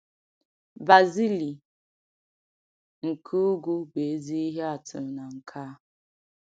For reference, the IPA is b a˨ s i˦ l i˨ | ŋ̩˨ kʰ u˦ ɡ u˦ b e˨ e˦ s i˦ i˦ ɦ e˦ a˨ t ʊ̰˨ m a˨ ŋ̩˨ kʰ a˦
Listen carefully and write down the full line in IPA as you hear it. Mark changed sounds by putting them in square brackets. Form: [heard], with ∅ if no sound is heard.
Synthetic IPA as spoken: b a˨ [z] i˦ l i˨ | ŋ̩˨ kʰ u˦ ɡ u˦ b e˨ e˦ [z] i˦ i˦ ɦ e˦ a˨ t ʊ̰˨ [n] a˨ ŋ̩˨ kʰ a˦